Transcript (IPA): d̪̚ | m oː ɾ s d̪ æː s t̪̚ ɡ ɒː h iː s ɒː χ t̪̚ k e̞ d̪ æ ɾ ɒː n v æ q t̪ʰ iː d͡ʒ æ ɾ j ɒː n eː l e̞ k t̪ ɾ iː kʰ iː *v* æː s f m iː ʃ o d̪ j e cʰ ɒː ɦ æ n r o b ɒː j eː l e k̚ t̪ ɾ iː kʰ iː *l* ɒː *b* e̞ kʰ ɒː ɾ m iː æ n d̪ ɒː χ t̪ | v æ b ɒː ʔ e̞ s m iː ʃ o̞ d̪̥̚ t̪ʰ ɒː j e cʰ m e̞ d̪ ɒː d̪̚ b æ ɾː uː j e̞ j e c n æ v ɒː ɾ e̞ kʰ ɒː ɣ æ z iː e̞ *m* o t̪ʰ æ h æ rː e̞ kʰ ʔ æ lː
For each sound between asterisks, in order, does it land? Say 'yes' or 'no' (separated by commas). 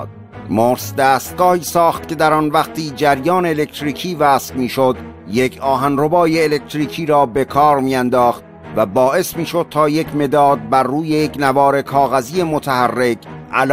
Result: yes, no, yes, yes